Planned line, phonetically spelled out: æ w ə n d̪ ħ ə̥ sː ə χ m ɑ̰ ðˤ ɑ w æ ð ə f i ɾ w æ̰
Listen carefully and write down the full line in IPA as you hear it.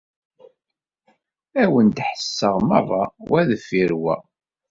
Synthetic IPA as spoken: æ w ə n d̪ ħ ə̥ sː ə ʁ m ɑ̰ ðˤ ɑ w æ ð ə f i ɾ w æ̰

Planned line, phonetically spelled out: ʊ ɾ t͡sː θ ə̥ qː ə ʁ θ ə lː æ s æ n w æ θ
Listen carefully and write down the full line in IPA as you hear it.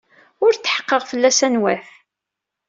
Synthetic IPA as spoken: ʊ ɾ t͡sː ħ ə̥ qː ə ʁ f ə lː æ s æ n w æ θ

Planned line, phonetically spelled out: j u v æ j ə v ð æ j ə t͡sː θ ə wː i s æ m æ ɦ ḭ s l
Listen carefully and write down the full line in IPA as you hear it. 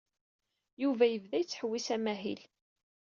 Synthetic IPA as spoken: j u v æ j ə v ð æ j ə t͡sː ħ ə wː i s æ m æ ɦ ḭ l

